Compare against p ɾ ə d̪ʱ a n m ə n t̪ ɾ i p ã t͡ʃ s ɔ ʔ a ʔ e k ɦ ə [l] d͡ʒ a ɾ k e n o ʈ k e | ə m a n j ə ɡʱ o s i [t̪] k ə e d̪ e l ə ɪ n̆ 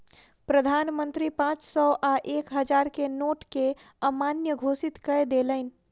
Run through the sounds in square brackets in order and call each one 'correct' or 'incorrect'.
incorrect: none, correct

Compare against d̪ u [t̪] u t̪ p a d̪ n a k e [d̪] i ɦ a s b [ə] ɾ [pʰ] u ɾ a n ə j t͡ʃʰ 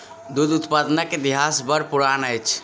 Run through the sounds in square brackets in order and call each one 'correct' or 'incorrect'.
incorrect: d̪, correct, correct, incorrect: p

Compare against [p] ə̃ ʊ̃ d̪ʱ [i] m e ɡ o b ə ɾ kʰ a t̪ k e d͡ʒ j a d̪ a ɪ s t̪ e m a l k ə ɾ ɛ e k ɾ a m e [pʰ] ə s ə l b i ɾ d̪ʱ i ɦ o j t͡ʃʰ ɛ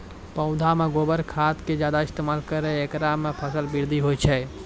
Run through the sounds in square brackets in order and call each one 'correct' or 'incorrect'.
correct, incorrect: a, correct

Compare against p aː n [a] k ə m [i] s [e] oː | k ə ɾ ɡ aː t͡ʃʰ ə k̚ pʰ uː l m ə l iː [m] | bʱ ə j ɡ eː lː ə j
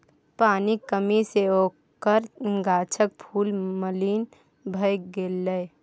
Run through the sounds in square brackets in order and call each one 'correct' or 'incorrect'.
incorrect: i, correct, correct, incorrect: n

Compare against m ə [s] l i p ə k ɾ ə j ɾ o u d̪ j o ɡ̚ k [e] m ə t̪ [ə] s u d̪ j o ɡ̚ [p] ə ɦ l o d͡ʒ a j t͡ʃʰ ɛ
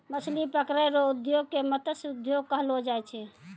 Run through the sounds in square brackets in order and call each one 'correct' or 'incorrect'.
correct, correct, correct, incorrect: k

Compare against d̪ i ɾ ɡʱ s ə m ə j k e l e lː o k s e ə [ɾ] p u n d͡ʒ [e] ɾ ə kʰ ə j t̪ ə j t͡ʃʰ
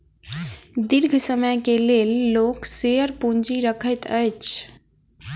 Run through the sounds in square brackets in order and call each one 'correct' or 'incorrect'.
correct, incorrect: i

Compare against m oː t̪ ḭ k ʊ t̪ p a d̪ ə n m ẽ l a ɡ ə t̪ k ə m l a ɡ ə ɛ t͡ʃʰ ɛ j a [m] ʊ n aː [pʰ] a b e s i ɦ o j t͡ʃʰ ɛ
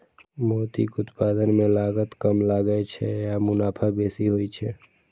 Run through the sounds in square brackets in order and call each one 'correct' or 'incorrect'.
correct, correct

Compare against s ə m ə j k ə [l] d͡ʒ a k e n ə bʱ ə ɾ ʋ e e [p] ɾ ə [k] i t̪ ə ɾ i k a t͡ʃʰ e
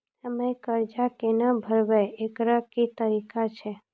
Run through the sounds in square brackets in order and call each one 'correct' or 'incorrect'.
incorrect: ɾ, incorrect: k, correct

